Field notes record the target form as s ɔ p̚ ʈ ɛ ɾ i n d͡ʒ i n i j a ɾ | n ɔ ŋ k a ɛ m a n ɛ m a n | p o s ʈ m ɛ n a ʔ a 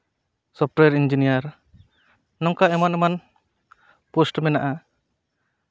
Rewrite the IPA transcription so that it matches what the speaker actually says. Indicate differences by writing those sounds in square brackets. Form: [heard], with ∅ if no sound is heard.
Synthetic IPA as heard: s ɔ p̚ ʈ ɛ ɾ i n d͡ʒ i n i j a ɾ | n ɔ ŋ k a ɛ m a n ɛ m a n | p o s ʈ m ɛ n a ʔ a